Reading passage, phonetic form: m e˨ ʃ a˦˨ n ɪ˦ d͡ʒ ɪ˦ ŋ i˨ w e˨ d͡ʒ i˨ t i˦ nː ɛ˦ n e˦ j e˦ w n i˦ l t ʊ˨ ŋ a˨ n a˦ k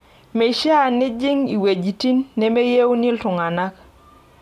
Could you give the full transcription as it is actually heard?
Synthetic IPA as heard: m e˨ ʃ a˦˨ n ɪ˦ d͡ʒ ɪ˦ ŋ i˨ w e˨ d͡ʒ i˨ t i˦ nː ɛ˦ m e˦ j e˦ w n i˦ l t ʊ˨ ŋ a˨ n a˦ k